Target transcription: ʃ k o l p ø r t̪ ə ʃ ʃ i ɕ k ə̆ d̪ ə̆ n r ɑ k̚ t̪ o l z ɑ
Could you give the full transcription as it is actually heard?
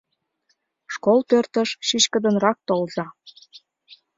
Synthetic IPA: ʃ k o l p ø r t̪ ə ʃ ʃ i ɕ k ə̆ d̪ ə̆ n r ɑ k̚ t̪ o l z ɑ